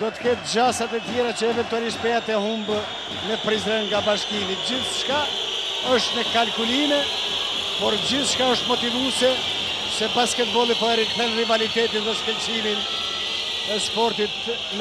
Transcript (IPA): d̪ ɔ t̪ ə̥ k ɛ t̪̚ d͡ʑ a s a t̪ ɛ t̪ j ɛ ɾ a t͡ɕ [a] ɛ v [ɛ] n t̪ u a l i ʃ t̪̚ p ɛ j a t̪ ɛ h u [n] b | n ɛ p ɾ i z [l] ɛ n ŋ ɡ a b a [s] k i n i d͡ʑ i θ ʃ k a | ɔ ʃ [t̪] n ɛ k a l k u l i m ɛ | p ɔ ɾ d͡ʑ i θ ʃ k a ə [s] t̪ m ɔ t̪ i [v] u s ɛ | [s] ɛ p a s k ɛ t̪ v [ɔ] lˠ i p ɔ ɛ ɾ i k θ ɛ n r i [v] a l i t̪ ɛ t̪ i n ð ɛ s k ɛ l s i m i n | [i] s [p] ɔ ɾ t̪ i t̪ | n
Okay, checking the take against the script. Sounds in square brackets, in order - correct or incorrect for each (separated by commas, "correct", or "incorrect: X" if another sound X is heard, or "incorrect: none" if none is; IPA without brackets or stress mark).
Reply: incorrect: ə, correct, incorrect: m, incorrect: ɾ, incorrect: ʃ, correct, incorrect: ʃ, correct, correct, correct, correct, incorrect: ɛ, correct